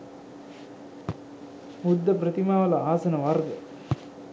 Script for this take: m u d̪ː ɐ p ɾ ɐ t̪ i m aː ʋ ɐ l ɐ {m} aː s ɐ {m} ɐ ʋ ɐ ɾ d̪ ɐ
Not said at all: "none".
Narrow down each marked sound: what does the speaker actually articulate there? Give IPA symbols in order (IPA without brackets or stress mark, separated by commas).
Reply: none, n